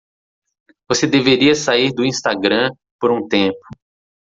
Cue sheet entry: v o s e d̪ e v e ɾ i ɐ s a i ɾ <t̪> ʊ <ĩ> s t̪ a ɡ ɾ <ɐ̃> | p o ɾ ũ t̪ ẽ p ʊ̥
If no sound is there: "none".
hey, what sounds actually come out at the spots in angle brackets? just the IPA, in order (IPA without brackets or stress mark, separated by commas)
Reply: d̪, ĩ, ɐ̃